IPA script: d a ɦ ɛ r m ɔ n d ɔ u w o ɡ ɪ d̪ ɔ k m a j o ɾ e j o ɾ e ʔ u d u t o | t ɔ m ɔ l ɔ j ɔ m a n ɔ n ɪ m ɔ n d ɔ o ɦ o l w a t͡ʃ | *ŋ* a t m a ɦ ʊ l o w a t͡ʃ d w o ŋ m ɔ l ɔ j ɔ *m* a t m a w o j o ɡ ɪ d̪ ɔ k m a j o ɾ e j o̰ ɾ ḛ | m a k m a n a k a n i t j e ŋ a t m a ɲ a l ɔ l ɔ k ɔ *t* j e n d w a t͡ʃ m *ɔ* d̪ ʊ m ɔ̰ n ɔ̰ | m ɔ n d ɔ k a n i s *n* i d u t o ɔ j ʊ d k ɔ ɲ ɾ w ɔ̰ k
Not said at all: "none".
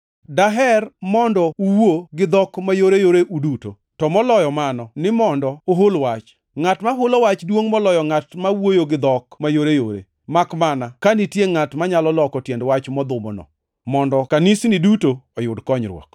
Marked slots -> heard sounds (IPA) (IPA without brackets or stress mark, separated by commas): ŋ, ŋ, t, ɔ, n